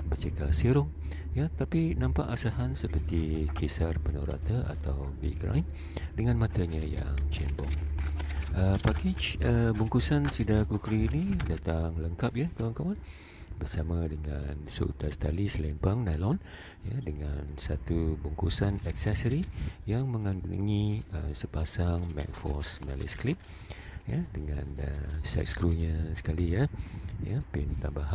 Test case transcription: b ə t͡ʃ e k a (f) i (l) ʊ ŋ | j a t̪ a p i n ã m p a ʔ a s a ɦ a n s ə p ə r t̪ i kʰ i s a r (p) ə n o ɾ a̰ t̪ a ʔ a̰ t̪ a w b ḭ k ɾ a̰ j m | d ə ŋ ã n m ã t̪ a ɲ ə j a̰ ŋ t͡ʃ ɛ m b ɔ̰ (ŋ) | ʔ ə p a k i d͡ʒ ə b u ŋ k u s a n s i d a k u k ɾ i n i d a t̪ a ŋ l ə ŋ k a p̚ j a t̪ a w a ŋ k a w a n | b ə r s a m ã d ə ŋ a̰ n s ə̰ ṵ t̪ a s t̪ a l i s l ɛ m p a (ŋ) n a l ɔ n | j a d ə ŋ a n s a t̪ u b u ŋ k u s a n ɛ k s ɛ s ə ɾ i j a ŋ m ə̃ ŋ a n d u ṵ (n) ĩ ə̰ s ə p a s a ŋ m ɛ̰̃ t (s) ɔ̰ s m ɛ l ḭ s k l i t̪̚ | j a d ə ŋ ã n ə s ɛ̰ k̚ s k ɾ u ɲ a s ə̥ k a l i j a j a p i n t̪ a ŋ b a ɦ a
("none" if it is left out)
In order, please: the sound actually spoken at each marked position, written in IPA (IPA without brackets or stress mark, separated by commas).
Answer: s, ɾ, p, ŋ, ŋ, ŋ, f